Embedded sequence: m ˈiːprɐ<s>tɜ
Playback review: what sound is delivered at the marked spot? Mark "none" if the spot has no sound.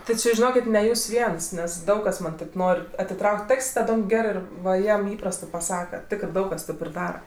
s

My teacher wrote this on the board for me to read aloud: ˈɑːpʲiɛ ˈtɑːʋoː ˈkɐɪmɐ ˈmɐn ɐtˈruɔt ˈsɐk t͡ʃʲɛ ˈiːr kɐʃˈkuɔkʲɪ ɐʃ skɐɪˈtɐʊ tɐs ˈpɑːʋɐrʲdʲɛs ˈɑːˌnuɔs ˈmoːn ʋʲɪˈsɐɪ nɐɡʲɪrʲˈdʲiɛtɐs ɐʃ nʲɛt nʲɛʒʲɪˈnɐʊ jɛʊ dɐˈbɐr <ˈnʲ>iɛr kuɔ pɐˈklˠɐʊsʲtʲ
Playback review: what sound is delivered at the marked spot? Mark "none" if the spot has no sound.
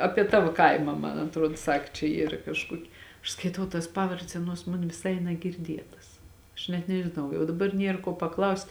nʲ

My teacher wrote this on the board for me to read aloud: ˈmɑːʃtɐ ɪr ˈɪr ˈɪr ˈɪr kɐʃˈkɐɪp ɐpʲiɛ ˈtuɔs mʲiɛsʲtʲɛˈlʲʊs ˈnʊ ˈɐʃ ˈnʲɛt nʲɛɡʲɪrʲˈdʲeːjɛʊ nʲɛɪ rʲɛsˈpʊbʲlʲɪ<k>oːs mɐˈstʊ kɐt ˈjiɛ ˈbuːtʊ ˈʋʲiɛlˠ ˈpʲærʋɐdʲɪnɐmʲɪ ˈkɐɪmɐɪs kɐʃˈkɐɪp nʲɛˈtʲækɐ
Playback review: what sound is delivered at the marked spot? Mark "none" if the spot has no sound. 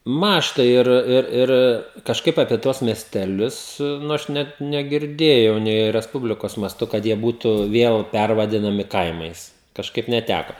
k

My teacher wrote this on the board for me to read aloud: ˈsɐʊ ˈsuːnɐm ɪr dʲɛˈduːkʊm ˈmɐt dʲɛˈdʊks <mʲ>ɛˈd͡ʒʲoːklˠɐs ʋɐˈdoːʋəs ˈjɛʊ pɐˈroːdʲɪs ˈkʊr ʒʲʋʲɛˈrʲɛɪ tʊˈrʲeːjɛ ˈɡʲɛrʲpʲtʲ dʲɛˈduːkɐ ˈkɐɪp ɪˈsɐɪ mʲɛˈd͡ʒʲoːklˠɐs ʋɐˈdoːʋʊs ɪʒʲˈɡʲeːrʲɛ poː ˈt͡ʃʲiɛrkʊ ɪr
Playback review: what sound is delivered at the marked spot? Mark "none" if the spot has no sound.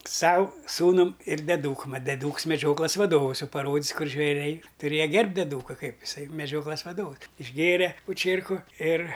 mʲ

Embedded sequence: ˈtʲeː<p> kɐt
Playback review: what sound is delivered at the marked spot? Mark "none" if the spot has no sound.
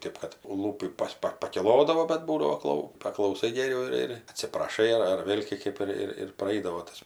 p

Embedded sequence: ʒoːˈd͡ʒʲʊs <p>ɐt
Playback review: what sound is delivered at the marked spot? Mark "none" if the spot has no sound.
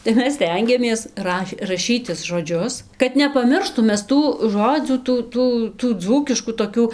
k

